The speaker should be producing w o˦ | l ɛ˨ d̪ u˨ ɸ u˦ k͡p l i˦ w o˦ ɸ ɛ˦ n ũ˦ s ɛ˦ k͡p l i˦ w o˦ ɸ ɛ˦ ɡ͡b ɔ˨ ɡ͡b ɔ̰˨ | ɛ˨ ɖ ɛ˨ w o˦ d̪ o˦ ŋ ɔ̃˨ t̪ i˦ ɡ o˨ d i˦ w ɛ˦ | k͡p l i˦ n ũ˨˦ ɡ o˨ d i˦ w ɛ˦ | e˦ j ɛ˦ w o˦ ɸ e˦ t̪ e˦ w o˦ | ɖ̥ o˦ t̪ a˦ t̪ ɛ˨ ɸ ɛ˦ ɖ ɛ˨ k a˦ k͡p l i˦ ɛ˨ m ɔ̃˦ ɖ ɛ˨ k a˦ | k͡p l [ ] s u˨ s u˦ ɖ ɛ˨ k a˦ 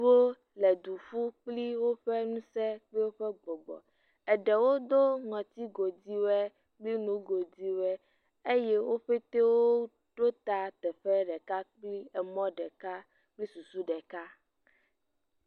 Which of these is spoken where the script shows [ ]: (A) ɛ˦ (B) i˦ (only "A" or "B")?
B